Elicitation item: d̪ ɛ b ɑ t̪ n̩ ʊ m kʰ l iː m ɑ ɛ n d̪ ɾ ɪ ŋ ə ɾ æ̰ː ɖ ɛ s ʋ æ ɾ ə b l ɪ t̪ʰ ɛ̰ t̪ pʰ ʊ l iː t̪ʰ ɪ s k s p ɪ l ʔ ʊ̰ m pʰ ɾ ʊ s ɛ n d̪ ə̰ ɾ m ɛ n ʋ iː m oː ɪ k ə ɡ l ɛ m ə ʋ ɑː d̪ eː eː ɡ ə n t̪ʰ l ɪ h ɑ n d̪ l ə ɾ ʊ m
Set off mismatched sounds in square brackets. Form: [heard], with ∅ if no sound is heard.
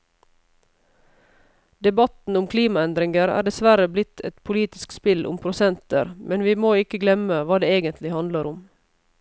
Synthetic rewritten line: d̪ ɛ b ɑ t̪ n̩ ʊ m kʰ l iː m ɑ ɛ n d̪ ɾ ɪ ŋ ə ɾ æ̰ː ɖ ɛ s ʋ æ ɾ ə b l ɪ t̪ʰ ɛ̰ t̪ pʰ ʊ l iː [t̪] ɪ s k s p ɪ l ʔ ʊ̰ m pʰ ɾ ʊ s ɛ n [t̪] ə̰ ɾ m ɛ n ʋ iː m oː ɪ k ə ɡ l ɛ m ə ʋ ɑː d̪ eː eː ɡ ə n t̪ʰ l ɪ h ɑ n d̪ l ə ɾ ʊ m